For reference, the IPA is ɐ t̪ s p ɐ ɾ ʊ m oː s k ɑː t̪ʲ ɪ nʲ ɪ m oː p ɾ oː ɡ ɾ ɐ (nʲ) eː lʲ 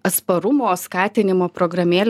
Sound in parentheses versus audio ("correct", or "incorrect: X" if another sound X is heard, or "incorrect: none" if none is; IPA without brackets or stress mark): incorrect: mʲ